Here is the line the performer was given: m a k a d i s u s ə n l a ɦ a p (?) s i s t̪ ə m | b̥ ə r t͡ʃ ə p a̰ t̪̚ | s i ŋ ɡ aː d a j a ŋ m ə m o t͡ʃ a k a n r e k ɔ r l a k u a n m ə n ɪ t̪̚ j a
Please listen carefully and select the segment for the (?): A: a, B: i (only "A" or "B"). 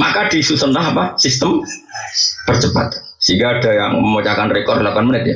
A